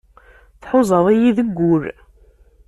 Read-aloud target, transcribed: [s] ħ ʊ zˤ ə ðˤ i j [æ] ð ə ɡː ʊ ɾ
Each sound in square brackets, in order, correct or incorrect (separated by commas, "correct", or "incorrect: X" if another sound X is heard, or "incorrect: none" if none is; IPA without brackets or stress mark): incorrect: θ, incorrect: i